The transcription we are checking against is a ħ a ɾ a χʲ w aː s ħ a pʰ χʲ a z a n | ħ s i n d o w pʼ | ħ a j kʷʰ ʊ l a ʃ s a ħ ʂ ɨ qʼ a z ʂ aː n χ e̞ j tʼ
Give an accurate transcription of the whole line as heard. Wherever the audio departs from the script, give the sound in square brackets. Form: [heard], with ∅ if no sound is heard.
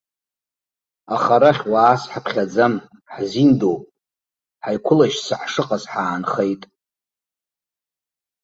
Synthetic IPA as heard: a [χ] a ɾ a χʲ w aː s ħ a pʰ χʲ a [d͡z] a [m] | ħ [z] i n d o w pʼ | ħ a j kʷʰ ʊ l a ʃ s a ħ ʂ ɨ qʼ a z [ħ] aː n χ e̞ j tʼ

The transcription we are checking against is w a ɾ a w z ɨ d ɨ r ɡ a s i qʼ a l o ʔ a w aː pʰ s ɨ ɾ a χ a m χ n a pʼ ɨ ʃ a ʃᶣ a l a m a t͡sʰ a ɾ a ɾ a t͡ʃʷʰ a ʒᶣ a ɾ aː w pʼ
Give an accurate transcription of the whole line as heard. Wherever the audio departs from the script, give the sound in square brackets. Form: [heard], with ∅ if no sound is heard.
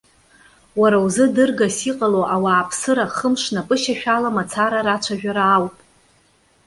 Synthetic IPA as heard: w a ɾ a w z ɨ d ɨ r ɡ a s i qʼ a l o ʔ a w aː pʰ s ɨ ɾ a χ [ə] m [ʂ] n a pʼ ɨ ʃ a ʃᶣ a l a m a t͡sʰ a ɾ a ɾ a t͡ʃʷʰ a ʒᶣ a ɾ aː w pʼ

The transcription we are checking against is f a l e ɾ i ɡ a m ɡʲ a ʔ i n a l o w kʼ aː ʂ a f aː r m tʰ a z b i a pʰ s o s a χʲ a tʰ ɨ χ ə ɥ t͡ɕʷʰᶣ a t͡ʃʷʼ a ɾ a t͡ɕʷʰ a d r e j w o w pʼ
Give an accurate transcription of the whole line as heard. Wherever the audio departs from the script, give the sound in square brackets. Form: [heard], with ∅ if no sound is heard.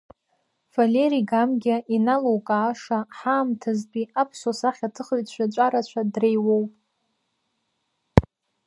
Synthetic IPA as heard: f a l e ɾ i ɡ a m ɡʲ a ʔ i n a l o w kʼ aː ʂ a [ħ] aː [∅] m tʰ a z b i a pʰ s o s a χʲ a tʰ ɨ χ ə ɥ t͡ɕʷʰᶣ a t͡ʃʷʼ a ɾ a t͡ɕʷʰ a d r e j w o w pʼ

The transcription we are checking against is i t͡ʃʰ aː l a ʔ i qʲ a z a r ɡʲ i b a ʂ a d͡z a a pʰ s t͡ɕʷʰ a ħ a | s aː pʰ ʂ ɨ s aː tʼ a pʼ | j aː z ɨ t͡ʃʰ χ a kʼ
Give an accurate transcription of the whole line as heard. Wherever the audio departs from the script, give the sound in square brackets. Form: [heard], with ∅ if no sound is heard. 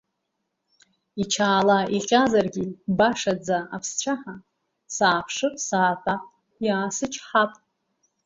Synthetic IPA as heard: i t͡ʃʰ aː l a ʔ i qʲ a z a r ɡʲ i b a ʂ a d͡z a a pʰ s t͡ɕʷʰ a ħ a | s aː pʰ ʂ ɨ s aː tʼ a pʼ | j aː [s] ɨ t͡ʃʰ [ħ] a [pʼ]

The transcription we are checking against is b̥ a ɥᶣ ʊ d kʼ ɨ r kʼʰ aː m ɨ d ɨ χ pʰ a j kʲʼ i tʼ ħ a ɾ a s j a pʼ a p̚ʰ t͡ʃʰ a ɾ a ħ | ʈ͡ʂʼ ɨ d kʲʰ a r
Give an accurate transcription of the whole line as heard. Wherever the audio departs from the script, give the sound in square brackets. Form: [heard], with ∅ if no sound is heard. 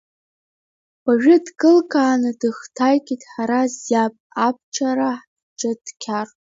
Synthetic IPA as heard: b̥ a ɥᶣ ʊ d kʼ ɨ [l] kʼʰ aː [n] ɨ d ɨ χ [tʰ] a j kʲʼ i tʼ ħ a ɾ a [z] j a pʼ a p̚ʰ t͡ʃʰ a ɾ a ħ | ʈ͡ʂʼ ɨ d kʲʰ a r

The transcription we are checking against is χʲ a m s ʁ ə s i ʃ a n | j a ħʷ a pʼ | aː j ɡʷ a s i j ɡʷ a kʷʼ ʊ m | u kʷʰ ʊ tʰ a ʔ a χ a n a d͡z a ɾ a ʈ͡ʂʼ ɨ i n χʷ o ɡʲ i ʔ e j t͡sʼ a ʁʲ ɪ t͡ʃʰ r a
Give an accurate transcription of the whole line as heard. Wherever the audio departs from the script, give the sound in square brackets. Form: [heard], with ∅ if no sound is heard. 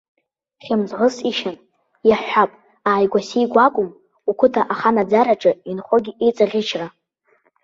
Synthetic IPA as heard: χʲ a m [z] ʁ ə s i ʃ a n | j a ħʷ a pʼ | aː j ɡʷ a s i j ɡʷ a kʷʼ ʊ m | u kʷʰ ʊ tʰ a ʔ a χ a n a d͡z a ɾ a ʈ͡ʂʼ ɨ i n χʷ o ɡʲ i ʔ e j t͡sʼ a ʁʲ ɪ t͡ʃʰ r a

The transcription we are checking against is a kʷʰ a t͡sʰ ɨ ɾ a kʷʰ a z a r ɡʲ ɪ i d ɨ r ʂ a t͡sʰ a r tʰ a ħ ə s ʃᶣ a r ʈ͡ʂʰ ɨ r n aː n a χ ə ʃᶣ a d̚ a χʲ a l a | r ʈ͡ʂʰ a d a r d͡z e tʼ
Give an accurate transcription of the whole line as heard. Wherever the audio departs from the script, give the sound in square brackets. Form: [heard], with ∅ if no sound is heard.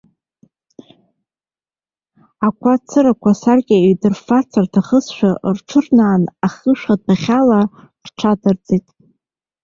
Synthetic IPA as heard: a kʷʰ a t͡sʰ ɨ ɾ a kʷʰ a [s] a r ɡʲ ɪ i d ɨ r [f] a t͡sʰ a r tʰ a [χ] ə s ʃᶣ a r ʈ͡ʂʰ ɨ r n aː n a χ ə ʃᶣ a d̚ a χʲ a l a | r ʈ͡ʂʰ a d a r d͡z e tʼ

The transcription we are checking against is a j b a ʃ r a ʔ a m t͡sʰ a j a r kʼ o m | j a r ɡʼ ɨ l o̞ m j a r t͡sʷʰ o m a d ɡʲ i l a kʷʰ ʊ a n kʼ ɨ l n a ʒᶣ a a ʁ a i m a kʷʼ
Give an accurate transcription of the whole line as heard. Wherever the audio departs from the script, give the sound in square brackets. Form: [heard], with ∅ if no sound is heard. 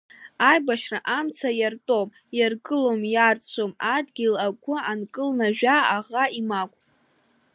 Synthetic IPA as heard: a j b a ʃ r a ʔ a m t͡sʰ a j a r [tʼ] o m | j a r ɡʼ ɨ l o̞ m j a r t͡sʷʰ o m a d ɡʲ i l a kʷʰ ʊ a n kʼ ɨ l n a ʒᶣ a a ʁ a i m a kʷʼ

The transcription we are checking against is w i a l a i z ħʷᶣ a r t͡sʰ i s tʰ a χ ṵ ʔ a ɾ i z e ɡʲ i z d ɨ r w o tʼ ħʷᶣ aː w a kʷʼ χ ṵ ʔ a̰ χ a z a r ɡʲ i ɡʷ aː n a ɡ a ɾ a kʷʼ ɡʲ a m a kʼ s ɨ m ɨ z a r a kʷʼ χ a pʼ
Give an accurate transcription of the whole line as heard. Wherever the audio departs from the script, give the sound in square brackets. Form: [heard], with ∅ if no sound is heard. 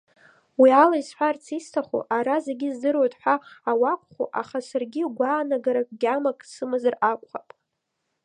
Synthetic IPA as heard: w i a l a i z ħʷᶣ a r t͡sʰ i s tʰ a χ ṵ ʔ a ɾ [a] z e ɡʲ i z d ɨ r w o tʼ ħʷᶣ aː w a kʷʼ χ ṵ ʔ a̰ χ a [s] a r ɡʲ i ɡʷ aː n a ɡ a ɾ a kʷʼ ɡʲ a m a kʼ s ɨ m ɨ z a r a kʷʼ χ a pʼ

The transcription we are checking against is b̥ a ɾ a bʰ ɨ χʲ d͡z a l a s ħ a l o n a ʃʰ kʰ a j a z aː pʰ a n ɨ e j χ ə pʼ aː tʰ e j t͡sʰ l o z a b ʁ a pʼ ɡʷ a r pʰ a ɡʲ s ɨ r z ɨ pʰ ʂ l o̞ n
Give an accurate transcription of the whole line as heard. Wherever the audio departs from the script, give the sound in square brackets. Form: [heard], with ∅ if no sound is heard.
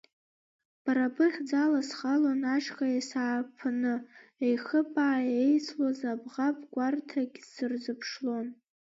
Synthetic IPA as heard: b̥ a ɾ a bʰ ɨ χʲ d͡z a l a s [χ] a l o n a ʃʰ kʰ a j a [s] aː pʰ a n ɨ e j χ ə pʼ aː [∅] e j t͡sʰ l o z a b ʁ a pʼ ɡʷ a r [tʰ] a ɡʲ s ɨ r z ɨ pʰ ʂ l o̞ n

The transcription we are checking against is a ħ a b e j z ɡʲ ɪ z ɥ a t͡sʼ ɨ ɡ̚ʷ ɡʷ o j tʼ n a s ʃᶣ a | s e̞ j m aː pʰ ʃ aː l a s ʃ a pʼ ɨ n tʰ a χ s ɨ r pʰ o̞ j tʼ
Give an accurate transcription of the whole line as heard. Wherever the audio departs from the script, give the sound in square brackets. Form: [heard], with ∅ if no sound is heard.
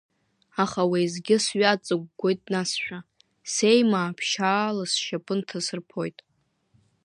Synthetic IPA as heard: a [χ] a [w] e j z ɡʲ ɪ [s] ɥ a t͡sʼ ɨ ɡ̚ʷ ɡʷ o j tʼ n a s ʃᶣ a | s e̞ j m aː pʰ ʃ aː l a s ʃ a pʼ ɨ n tʰ a [∅] s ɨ r pʰ o̞ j tʼ

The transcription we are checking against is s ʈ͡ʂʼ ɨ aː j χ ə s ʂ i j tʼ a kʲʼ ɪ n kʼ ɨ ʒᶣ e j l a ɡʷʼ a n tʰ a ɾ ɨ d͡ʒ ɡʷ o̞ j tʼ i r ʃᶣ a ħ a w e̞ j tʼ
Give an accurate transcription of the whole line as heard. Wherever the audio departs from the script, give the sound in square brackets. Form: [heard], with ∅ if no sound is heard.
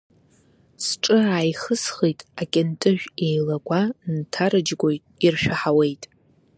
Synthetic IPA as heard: s ʈ͡ʂʼ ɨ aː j χ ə s [χ] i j tʼ a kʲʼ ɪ n [tʼ] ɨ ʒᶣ e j l a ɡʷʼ a n tʰ a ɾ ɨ d͡ʒ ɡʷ o̞ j tʼ i r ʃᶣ a ħ a w e̞ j tʼ

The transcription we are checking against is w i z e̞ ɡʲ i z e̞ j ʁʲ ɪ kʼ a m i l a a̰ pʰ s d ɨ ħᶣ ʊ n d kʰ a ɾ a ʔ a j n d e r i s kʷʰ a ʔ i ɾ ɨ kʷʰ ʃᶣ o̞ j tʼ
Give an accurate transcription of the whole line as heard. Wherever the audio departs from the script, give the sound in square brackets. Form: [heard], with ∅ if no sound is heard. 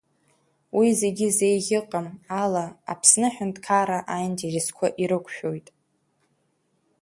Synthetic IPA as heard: w i z e̞ ɡʲ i z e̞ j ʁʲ ɪ [qʼ] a m [a] l a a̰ pʰ s [n] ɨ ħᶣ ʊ n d kʰ a ɾ a ʔ a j n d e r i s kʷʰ a ʔ i ɾ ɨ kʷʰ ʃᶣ o̞ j tʼ

